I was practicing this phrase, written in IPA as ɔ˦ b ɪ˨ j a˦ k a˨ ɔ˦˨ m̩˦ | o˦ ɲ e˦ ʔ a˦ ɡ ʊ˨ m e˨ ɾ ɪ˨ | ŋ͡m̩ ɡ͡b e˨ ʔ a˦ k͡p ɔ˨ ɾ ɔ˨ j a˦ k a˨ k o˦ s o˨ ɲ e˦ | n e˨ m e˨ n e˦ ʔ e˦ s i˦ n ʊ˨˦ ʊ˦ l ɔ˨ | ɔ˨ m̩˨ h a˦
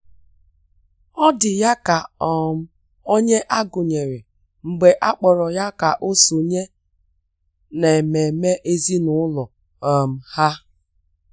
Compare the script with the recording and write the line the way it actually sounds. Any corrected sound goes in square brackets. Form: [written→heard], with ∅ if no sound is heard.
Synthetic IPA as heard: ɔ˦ [b→d] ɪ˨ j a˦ k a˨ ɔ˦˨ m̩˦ | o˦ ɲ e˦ ʔ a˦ ɡ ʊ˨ [m→ɲ] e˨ ɾ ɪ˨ | ŋ͡m̩ ɡ͡b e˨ ʔ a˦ k͡p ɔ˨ ɾ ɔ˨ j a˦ k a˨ [k→ʔ] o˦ s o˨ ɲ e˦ | n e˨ m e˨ [n→m] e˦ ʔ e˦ [s→z] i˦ n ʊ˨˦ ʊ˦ l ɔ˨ | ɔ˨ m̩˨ h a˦